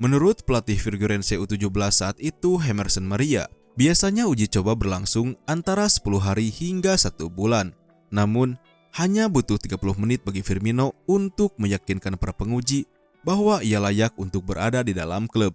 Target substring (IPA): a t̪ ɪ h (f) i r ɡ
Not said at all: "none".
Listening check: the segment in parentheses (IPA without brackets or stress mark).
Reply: f